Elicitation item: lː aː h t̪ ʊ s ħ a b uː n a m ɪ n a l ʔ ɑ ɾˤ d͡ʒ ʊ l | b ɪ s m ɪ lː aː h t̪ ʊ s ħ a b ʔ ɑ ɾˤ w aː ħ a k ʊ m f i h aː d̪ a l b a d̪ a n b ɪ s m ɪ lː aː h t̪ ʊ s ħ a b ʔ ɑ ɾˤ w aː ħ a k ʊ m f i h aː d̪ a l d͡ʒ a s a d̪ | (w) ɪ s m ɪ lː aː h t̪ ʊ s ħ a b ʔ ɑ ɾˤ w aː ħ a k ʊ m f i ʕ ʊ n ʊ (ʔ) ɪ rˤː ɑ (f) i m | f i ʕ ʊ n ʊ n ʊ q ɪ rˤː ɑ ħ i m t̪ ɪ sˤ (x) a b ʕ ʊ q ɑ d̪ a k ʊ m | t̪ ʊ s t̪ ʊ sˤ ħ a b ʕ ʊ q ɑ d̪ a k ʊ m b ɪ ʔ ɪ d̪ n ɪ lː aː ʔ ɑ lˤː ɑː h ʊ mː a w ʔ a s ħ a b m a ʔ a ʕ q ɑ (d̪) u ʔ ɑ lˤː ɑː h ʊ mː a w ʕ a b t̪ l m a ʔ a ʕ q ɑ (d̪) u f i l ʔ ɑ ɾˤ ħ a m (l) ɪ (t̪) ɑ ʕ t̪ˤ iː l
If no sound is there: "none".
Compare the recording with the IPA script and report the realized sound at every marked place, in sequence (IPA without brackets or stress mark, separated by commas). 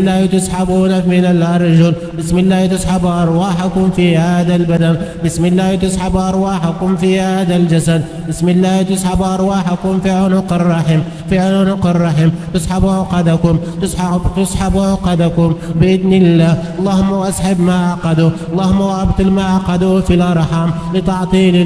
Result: b, q, ħ, ħ, d̪, d̪, l, t̪